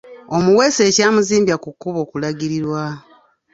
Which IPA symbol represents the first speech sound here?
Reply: o̞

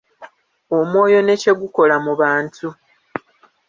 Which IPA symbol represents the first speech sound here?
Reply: o̞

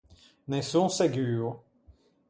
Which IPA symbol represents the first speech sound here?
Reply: n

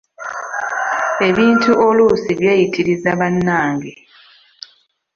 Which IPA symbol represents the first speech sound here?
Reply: e̞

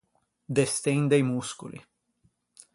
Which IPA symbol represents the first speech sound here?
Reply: d̪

